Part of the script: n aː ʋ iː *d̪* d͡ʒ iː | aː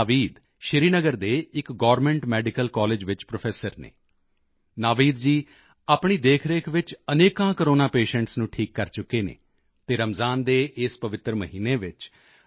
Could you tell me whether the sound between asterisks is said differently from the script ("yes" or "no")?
no